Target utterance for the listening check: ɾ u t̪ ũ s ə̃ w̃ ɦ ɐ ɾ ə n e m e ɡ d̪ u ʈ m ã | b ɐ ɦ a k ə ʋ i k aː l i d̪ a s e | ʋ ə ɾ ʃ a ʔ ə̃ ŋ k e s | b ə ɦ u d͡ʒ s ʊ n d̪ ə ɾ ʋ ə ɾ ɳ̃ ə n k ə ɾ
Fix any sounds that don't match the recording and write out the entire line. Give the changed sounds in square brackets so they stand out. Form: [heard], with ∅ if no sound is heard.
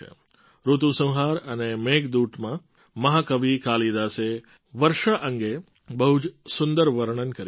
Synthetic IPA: ɾ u t̪ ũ s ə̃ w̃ ɦ [a] ɾ ə n e m e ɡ d̪ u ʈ m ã | [m] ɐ ɦ a k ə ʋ i k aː l i d̪ a s e | ʋ ə ɾ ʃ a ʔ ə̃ ŋ [ɡ] e [∅] | b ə ɦ u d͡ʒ s ʊ n d̪ ə ɾ ʋ ə ɾ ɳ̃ ə n k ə ɾ